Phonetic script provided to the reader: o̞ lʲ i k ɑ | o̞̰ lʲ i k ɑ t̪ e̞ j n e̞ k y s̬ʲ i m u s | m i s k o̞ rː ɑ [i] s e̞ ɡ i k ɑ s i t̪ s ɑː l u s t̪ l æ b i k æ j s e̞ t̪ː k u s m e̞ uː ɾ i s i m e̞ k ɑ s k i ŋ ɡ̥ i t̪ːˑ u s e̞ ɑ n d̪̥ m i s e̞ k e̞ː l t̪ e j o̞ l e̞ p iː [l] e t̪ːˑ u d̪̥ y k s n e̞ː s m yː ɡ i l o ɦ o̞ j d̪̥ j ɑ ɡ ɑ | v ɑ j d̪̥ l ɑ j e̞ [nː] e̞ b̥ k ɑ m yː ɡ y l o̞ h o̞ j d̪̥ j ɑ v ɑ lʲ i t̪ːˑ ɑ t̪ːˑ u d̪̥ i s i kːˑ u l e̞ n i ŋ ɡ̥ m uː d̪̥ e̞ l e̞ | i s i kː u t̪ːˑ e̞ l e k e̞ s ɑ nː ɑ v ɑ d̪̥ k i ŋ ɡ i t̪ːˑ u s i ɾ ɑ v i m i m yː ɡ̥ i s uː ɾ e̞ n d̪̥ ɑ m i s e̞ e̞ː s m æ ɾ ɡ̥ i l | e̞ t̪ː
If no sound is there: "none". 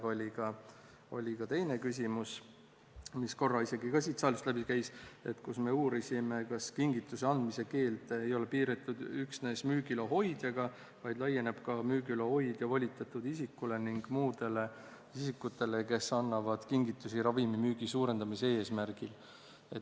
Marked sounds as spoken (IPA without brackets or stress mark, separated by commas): i, ɾ, n